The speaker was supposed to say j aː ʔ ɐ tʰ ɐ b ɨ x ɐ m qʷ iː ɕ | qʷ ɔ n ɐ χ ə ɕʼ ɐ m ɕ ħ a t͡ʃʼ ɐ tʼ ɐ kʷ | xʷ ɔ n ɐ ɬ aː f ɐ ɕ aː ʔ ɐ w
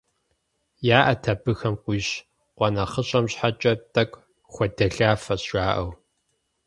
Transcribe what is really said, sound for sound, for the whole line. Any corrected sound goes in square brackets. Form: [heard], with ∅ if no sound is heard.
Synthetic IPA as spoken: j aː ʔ ɐ tʰ ɐ b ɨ x ɐ m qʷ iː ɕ | qʷ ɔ n ɐ χ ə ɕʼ ɐ m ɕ ħ a t͡ʃʼ ɐ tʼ ɐ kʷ | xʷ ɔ [d] ɐ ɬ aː f ɐ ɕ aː ʔ ɐ w